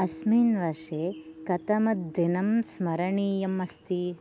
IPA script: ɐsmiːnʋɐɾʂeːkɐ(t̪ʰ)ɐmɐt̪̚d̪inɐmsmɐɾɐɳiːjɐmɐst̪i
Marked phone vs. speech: incorrect: t̪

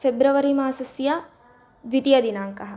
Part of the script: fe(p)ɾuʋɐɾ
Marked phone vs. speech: incorrect: b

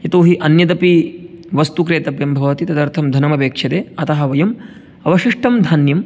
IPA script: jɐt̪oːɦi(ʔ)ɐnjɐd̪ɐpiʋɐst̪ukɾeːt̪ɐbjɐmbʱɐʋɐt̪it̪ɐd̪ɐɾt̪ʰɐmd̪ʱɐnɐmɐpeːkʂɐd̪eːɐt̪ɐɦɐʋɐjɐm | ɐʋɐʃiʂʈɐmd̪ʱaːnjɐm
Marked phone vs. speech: correct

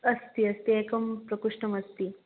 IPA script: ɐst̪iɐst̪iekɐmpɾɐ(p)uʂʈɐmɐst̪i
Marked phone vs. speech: incorrect: k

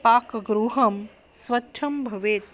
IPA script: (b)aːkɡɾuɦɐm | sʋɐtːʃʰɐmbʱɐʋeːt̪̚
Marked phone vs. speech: incorrect: p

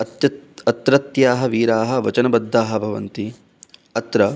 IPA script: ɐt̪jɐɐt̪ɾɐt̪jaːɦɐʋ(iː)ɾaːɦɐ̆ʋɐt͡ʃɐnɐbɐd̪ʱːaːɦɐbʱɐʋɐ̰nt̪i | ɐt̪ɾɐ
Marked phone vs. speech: correct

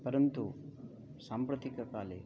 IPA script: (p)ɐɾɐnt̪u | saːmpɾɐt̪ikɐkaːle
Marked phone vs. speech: correct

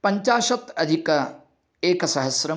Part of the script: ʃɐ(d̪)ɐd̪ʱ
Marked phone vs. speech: incorrect: t̪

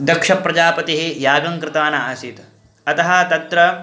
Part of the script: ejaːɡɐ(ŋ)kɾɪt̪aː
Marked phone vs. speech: correct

